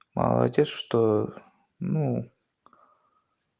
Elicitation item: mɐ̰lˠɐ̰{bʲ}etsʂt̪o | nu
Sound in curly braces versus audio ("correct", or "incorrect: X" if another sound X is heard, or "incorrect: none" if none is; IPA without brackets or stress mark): incorrect: dʲ